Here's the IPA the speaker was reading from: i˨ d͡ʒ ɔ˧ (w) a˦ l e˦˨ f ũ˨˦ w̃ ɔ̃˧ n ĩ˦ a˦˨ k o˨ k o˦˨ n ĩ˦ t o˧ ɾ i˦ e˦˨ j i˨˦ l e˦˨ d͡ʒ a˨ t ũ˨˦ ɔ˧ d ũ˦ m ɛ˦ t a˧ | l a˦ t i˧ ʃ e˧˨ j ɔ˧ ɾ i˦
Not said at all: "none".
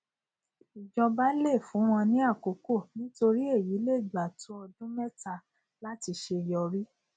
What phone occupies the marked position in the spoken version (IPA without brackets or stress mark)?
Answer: b